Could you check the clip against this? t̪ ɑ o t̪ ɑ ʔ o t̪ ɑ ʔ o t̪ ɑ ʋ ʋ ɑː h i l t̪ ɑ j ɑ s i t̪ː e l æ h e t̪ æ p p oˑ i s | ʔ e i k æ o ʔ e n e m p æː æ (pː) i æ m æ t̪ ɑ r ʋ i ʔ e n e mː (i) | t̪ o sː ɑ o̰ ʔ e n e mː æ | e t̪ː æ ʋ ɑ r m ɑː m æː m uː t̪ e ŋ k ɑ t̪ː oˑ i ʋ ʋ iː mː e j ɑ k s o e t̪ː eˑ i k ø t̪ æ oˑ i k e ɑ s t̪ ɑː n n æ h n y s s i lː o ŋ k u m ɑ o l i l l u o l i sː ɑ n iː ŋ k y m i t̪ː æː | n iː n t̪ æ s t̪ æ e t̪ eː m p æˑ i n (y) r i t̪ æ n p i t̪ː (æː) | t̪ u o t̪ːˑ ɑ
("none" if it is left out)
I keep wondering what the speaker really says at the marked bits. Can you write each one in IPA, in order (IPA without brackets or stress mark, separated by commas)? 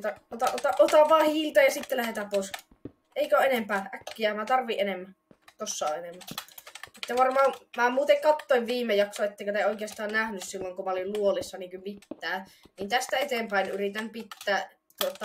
kː, æ, y, æː